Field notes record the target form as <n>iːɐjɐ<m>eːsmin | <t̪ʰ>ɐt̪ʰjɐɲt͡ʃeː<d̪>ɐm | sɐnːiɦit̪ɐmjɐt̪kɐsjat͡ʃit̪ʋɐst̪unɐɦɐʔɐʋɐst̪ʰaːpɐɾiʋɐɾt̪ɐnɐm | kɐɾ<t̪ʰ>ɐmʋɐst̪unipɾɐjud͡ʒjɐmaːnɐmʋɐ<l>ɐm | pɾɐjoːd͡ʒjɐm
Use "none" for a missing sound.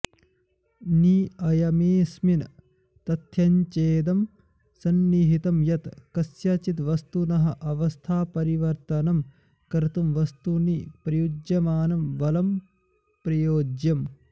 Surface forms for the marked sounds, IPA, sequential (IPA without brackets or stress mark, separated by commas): n, m, t̪, d̪, t̪, l